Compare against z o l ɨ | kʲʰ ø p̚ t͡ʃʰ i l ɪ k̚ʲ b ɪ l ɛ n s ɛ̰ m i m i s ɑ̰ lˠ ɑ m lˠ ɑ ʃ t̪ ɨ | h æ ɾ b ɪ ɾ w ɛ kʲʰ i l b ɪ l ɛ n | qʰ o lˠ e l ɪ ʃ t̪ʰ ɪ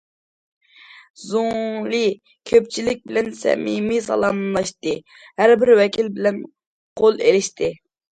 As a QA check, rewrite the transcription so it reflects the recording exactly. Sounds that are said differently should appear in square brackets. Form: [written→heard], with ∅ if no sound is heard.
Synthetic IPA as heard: z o l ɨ | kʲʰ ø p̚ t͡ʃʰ i l ɪ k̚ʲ b ɪ l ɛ n s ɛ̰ m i m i s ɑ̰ lˠ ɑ m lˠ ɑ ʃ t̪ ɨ | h æ ɾ b ɪ ɾ w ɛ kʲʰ i l b ɪ l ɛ n | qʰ o lˠ e l ɪ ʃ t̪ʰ ɪ